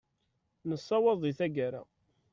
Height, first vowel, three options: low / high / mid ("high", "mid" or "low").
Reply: mid